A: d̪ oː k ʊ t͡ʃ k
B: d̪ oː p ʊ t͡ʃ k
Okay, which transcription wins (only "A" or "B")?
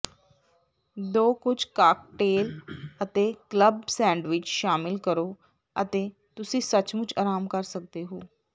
A